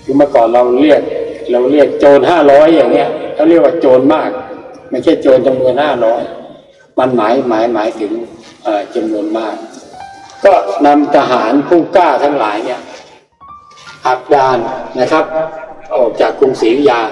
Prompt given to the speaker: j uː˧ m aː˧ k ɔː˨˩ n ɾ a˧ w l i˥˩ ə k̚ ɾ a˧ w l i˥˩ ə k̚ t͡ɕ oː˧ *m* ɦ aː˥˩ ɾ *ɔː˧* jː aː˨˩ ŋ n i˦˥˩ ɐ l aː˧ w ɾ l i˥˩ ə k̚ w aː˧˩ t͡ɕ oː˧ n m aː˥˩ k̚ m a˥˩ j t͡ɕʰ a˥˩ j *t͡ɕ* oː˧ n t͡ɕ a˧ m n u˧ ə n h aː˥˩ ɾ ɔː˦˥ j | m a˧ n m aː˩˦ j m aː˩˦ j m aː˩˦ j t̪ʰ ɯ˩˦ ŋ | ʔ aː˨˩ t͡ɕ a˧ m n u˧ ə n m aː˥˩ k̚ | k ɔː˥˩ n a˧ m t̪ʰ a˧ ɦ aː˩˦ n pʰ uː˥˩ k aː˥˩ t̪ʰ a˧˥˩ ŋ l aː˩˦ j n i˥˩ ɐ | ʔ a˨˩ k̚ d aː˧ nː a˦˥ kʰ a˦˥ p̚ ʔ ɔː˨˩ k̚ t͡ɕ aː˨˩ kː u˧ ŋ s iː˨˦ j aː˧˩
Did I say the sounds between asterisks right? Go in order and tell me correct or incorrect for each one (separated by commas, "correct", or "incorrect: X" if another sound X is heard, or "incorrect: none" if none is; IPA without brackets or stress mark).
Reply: incorrect: n, incorrect: ɔː˦˥, correct